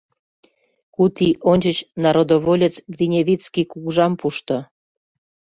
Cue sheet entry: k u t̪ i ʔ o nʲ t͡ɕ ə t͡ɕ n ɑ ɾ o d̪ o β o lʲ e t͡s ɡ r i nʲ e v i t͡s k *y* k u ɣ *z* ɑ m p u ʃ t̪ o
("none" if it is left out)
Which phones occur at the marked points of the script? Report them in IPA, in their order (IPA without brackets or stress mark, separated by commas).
i, ʒ